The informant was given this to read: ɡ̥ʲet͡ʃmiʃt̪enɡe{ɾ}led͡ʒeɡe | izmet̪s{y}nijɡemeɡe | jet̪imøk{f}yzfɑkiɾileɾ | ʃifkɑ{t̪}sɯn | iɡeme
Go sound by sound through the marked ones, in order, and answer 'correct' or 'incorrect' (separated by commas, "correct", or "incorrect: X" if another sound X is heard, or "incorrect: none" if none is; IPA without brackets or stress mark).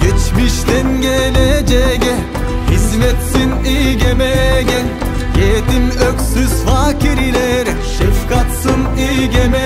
incorrect: none, incorrect: i, incorrect: s, correct